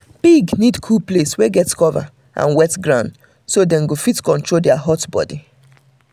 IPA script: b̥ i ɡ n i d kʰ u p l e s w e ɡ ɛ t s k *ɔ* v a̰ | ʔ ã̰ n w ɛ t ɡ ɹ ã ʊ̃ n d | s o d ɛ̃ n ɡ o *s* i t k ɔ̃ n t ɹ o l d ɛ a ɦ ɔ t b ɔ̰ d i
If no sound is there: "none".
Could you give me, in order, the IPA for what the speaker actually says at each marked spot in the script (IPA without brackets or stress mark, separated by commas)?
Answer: ɔ, f